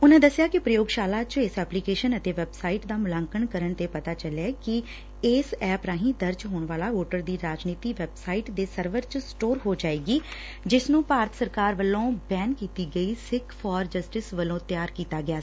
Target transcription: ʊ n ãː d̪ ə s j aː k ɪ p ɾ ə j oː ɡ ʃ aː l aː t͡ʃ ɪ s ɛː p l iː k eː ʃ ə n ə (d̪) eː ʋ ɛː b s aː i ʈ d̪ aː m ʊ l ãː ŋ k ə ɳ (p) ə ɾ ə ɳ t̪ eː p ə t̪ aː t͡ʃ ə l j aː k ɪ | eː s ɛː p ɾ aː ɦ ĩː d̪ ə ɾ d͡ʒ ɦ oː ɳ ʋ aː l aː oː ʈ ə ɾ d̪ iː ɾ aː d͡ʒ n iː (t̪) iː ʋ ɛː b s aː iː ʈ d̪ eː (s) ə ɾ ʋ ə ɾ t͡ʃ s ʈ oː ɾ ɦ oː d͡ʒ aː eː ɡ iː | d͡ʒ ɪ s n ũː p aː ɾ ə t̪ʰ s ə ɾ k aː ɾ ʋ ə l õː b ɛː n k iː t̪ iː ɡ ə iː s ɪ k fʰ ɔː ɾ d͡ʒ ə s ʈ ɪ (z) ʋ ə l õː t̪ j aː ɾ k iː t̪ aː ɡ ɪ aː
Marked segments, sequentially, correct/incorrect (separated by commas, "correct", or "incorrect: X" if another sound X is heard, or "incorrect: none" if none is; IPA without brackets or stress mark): incorrect: t̪, incorrect: k, correct, correct, incorrect: s